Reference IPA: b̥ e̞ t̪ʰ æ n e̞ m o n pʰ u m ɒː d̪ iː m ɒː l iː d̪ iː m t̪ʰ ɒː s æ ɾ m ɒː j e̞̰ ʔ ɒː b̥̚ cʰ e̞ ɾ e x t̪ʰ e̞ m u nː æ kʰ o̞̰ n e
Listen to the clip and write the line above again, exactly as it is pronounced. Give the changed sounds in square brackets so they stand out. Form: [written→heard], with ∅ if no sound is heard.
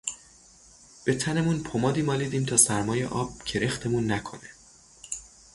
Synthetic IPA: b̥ e̞ t̪ʰ æ n e̞ m [o→u] n pʰ [u→o] m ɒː d̪ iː m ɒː l iː d̪ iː m t̪ʰ ɒː s æ ɾ m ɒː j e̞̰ ʔ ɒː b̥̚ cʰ e̞ ɾ e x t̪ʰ e̞ m u nː æ kʰ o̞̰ n e